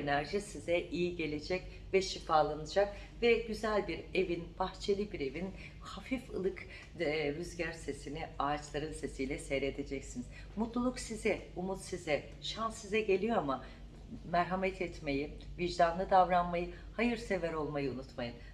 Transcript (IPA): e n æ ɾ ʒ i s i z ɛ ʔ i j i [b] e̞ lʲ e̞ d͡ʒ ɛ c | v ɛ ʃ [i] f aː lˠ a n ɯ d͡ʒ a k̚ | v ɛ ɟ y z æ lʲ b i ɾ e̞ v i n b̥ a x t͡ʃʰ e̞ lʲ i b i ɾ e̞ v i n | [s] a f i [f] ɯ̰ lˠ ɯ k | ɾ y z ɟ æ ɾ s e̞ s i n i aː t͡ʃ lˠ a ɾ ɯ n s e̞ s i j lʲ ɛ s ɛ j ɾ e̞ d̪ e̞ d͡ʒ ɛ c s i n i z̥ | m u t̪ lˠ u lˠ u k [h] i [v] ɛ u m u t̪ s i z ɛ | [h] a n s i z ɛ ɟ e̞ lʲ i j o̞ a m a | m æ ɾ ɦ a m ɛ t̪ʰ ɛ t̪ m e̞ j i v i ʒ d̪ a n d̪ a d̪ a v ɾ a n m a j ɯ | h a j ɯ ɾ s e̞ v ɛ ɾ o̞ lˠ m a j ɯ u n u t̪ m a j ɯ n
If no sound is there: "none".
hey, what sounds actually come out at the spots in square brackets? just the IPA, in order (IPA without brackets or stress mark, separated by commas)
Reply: ɟ, i, h, f, s, z, ʃ